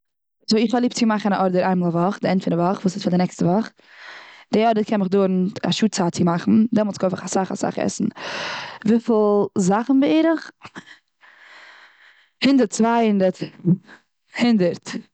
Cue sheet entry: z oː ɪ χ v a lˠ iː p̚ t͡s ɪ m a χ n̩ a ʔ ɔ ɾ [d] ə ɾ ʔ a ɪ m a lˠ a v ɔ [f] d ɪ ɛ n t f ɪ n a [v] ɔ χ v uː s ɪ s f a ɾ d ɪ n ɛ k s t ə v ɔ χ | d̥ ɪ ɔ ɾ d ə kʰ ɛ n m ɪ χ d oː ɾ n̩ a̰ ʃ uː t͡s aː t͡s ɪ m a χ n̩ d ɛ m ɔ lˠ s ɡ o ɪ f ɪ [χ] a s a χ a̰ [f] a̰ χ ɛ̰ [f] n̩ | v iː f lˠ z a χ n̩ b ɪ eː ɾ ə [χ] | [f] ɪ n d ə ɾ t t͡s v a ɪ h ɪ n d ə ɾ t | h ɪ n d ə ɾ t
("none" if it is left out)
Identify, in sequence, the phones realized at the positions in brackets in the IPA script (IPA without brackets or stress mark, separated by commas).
d, χ, v, χ, s, s, χ, h